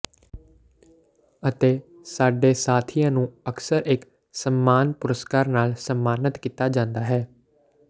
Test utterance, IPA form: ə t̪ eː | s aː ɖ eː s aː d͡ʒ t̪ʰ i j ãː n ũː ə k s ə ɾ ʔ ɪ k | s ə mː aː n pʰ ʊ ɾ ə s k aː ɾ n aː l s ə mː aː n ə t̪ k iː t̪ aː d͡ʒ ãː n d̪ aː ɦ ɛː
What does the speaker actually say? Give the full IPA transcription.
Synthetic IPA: ə t̪ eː | s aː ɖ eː s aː t̪ʰ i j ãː n ũː ə k s ə ɾ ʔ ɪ k | s ə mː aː n p ʊ ɾ ə s k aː ɾ n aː l s ə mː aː n ə t̪ k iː t̪ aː d͡ʒ ãː n d̪ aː ɦ ɛː